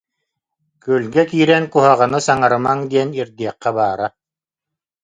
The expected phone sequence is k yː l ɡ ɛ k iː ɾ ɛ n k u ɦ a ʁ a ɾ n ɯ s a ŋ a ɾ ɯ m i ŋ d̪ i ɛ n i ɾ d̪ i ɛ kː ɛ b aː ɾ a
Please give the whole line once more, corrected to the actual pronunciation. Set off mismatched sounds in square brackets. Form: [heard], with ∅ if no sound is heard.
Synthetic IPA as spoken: k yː l ɡ ɛ k iː ɾ ɛ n k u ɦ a ʁ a [∅] n ɯ s a ŋ a ɾ ɯ m [a] ŋ d̪ i ɛ n i ɾ d̪ i ɛ [qː] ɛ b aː ɾ a